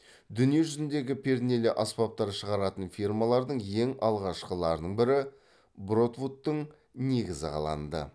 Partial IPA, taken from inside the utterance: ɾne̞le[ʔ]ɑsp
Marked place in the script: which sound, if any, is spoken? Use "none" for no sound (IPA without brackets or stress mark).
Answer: ʔ